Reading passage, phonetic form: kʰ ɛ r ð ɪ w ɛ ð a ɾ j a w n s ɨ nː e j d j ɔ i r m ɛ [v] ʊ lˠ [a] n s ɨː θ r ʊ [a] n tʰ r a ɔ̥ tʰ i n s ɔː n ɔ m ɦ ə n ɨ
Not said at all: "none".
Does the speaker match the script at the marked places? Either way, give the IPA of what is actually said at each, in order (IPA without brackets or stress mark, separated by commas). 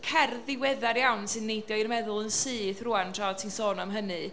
ð, ə, a